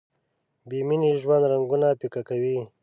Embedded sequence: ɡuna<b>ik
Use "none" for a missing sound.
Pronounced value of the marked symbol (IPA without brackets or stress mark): p